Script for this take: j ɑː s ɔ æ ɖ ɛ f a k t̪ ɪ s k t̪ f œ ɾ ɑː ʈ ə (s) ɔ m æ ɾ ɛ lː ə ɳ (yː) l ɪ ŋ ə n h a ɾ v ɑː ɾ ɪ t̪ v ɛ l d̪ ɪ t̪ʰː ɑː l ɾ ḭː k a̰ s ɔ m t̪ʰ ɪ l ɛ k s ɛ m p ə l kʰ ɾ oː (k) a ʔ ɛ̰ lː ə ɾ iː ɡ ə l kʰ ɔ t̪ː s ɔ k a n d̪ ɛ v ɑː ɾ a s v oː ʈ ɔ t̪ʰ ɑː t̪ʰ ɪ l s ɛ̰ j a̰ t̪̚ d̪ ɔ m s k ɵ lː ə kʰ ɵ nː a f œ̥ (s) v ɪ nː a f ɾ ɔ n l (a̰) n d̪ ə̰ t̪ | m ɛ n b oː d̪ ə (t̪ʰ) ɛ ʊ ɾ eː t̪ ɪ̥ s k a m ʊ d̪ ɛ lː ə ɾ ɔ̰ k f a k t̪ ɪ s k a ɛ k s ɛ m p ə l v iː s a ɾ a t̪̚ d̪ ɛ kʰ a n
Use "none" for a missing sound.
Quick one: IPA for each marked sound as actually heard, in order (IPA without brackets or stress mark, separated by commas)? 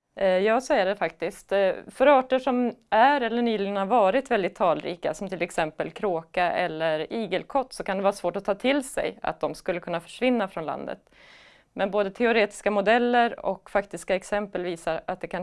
ʂ, yː, k, ʂ, a̰, t̪ʰ